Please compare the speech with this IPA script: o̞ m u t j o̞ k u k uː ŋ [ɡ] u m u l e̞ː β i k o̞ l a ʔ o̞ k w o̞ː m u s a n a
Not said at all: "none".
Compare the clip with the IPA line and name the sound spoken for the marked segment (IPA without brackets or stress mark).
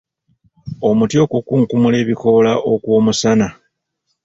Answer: k